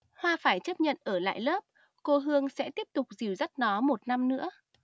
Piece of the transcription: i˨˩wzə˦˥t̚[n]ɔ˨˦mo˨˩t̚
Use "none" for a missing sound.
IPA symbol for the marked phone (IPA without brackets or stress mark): n